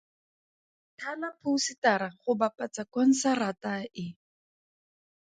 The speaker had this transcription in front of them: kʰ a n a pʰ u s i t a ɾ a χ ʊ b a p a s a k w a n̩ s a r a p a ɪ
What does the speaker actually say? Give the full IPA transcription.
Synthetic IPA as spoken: tʰ a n a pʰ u s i t a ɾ a χ ʊ b a p a t͡s a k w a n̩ s a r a t a ɪ